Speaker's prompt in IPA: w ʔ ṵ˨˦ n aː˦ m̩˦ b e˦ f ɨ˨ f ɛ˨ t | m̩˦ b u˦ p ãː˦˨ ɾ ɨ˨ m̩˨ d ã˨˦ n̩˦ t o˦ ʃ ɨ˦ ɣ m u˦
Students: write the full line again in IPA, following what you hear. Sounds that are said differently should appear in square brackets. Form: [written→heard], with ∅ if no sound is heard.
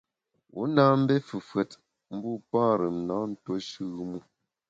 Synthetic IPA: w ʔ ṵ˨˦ n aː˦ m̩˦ b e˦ f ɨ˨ f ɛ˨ t | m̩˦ b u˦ p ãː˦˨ ɾ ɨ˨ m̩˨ [d→n] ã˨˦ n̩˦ t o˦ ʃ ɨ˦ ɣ m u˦

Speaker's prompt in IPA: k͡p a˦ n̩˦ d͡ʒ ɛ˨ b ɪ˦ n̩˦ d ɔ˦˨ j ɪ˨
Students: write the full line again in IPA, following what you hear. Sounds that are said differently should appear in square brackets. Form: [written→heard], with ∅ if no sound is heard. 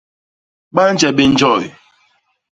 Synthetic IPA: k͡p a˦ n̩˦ d͡ʒ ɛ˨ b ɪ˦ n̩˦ [d→d͡ʒ] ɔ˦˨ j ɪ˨

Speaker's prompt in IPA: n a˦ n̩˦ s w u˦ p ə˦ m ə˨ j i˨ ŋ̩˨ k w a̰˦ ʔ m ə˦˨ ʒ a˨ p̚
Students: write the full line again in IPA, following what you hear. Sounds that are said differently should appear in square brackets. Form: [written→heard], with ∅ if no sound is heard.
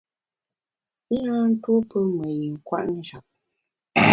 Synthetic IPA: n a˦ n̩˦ [s→t] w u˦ p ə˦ m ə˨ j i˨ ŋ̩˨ k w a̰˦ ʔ [m→n] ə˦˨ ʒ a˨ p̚

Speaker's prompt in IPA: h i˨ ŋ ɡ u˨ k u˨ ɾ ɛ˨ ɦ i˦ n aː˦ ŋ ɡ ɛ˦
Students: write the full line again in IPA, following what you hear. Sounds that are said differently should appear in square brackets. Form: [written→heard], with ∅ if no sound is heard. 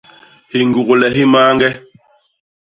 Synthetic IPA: h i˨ ŋ ɡ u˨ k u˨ [ɾ→l] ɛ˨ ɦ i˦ [n→m] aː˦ ŋ ɡ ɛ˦

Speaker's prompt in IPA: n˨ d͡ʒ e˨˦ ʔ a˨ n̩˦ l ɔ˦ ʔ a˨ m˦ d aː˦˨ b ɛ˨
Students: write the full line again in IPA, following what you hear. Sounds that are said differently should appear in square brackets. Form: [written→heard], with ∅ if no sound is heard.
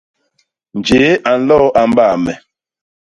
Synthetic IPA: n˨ d͡ʒ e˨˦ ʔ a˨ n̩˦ l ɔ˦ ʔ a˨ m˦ [d→b] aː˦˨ [b→m] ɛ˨

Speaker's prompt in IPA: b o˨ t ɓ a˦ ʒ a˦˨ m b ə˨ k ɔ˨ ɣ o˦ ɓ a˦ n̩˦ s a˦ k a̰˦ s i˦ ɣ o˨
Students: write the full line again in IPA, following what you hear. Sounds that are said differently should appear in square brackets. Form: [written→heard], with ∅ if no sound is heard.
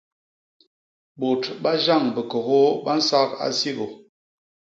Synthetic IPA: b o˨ t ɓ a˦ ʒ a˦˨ [m→ŋ] b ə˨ k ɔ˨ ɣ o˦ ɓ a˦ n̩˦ s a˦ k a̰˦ s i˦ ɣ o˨

